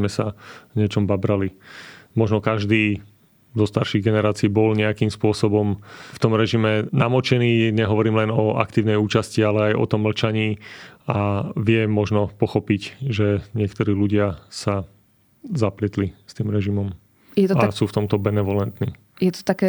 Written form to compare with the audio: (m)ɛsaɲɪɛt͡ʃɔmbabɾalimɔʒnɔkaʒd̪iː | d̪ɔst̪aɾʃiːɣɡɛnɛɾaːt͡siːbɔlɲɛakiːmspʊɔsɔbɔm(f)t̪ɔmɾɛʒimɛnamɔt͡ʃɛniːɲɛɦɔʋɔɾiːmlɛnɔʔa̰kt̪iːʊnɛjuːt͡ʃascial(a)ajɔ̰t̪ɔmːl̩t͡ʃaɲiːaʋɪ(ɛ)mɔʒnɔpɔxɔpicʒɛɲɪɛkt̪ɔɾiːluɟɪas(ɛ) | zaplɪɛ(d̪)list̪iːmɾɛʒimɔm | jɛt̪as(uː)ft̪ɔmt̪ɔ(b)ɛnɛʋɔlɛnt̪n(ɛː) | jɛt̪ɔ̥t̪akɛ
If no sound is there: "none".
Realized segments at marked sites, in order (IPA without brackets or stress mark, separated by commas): m, f, ɛ, ɛ, a, t̪, uː, b, iː